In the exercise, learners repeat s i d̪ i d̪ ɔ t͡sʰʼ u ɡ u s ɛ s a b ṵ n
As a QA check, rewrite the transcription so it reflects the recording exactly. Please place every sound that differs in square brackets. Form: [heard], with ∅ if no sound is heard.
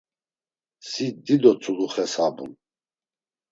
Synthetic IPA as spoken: s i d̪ i d̪ ɔ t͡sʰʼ u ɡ u [χ] ɛ s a b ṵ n